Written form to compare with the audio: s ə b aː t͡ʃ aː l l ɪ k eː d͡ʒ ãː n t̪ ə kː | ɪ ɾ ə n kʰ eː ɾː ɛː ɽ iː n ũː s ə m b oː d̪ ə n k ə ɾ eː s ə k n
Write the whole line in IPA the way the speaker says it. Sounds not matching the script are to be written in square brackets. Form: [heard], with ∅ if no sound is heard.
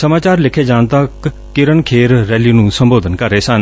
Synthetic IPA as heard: s ə [m] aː t͡ʃ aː [ɾ] l ɪ [kʰ] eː d͡ʒ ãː n t̪ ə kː | ɪ ɾ ə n kʰ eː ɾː ɛː [l] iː n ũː s ə m b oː d̪ ə n k ə ɾ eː s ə [∅] n